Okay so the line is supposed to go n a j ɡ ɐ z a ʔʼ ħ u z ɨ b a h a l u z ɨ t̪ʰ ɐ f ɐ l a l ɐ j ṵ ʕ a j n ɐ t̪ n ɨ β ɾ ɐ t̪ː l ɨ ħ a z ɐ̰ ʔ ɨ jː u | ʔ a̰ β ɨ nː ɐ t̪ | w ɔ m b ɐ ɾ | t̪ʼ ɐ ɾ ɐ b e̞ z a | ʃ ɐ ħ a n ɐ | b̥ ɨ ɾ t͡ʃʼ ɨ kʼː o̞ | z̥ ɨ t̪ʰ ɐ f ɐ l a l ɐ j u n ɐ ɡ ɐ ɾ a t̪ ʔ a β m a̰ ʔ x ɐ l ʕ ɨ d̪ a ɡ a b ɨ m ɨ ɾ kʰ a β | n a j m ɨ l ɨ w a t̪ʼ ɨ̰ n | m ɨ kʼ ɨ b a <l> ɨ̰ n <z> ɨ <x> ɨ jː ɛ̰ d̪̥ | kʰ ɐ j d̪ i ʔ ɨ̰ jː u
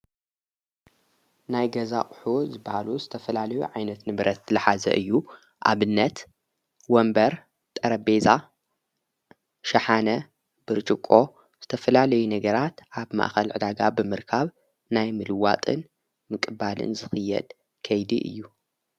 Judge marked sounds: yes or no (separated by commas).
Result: yes, yes, yes